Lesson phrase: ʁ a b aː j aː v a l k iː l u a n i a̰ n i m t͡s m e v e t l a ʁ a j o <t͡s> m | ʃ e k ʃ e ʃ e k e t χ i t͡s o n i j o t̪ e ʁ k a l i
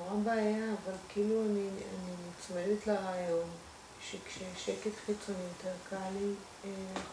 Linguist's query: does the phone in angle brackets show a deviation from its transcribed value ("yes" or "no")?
yes